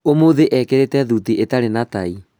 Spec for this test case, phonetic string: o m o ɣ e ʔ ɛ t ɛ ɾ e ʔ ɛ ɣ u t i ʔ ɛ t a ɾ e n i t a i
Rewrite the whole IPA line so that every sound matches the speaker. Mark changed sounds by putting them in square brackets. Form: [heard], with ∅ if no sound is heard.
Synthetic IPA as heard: o m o [ð] e ʔ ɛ [k] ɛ ɾ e [t] ɛ [ð] u t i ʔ [e] t a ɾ e n [a] t a i